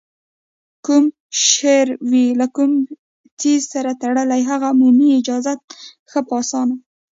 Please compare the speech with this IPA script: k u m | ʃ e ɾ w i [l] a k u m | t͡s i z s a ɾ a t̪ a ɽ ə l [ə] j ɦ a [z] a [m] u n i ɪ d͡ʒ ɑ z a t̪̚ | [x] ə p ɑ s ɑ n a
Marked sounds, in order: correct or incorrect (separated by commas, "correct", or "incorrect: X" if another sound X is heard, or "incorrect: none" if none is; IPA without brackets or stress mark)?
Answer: correct, incorrect: a, incorrect: ɣ, correct, correct